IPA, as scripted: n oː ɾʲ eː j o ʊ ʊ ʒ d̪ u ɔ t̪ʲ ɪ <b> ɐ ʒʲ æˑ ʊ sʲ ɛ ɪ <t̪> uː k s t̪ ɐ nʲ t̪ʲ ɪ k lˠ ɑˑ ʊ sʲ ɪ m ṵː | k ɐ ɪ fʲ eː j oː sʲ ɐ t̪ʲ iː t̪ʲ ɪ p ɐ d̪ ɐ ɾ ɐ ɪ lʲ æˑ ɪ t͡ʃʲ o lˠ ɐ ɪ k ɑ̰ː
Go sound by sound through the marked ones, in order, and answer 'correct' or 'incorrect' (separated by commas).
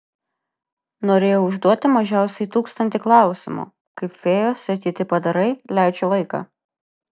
incorrect, correct